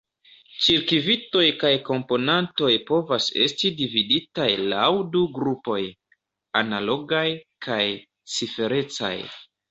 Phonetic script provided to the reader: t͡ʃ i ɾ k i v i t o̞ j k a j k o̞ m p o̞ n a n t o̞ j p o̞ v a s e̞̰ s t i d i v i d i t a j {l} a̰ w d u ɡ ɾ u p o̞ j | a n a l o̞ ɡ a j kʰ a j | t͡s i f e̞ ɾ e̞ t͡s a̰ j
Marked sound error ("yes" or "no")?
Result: no